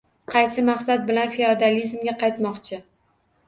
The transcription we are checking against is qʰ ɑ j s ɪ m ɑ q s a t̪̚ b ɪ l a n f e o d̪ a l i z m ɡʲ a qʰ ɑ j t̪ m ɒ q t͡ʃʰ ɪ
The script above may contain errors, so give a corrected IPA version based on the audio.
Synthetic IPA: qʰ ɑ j s ɪ m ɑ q s a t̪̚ b ɪ l a n f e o d̪ a l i z m ɡʲ a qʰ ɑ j t̪ m ɒ q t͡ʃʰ ɪ

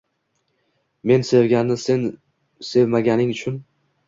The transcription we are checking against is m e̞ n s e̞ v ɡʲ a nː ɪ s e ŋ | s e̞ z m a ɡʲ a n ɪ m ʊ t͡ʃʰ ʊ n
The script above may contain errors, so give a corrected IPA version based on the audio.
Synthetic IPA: m e̞ n s e̞ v ɡʲ a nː ɪ s e n | s e̞ v m a ɡʲ a n ɪ ŋ ʊ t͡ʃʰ ʊ n

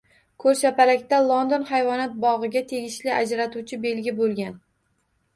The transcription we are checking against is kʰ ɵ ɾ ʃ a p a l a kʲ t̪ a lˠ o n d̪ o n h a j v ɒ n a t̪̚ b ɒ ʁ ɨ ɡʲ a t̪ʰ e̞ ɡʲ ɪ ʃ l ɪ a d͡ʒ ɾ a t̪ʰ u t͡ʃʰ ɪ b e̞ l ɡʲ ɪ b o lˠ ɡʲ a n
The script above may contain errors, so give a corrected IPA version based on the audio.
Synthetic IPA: kʰ ɵ ɾ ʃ a p a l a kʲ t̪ a lˠ o n d̪ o n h a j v ɒ n a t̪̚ b ɒ ʁ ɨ ɡʲ a t̪ʰ e̞ ɡʲ ɪ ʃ l ɪ a d͡ʒ ɾ a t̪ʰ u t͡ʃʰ ɪ b e̞ l ɡʲ ɪ b o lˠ ɡʲ a n

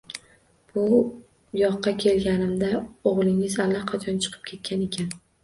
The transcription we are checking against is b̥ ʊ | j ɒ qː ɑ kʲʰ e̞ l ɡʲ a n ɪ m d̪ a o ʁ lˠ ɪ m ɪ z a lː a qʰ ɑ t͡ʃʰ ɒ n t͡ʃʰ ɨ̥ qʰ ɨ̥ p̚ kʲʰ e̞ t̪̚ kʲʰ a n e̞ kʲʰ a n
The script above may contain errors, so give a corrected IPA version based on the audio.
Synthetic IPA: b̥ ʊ | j ɒ qː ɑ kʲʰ e̞ l ɡʲ a n ɪ m d̪ a o ʁ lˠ ɪ ŋ ɪ z a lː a qʰ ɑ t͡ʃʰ ɒ n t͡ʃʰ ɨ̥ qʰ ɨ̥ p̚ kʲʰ e̞ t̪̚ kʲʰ a n e̞ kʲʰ a n

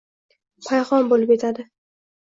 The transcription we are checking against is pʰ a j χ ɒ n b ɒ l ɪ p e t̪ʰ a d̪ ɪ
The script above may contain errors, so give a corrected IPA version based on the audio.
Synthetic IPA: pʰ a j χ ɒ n b o l ɪ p e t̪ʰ a d̪ ɪ

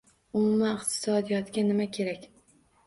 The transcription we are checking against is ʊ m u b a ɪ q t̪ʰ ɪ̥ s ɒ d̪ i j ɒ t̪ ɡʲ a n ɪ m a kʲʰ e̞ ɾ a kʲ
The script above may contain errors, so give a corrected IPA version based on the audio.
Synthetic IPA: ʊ m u m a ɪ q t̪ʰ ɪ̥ s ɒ d̪ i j ɒ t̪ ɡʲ a n ɪ m a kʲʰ e̞ ɾ a kʲ

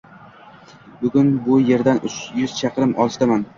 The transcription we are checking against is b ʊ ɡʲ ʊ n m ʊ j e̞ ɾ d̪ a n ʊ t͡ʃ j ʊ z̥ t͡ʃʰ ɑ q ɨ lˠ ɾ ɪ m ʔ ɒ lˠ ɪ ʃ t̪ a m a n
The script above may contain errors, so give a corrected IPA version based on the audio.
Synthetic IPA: b ʊ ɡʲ ʊ n b ʊ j e̞ ɾ d̪ a n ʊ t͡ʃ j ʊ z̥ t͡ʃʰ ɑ q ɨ ɾ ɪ m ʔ ɒ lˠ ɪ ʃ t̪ a m a n

